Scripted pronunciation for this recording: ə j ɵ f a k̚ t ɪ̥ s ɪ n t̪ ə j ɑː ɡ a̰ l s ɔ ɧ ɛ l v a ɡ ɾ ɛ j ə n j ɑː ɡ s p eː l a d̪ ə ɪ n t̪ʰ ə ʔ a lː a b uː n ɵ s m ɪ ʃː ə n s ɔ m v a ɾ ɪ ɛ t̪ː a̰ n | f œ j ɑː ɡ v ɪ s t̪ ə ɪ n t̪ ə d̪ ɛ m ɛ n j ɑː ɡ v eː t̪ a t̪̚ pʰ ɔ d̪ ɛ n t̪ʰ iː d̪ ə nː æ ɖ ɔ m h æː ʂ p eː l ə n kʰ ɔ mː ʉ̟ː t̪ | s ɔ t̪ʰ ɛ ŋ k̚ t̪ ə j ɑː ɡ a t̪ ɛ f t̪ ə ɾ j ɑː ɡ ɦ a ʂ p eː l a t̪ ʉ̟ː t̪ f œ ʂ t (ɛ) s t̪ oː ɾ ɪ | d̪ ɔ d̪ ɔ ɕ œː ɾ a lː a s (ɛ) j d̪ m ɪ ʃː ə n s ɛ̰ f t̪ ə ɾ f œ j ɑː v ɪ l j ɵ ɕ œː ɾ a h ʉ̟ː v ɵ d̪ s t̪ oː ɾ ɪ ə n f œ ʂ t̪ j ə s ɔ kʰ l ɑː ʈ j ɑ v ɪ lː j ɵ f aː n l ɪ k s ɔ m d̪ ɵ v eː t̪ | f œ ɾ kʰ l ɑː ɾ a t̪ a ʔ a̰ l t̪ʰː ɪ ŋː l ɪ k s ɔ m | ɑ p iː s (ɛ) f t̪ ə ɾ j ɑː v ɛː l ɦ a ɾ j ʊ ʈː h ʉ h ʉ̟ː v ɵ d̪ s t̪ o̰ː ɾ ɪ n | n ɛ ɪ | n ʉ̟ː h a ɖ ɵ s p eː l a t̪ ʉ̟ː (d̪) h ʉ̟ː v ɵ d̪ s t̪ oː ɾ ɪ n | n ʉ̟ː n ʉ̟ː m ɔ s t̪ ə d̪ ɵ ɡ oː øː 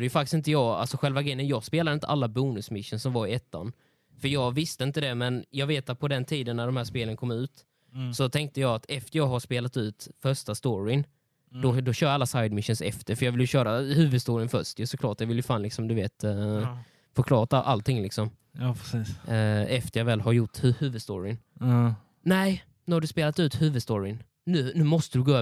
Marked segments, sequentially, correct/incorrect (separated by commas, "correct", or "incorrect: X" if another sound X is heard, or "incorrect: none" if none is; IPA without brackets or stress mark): incorrect: a, incorrect: a, correct, incorrect: t̪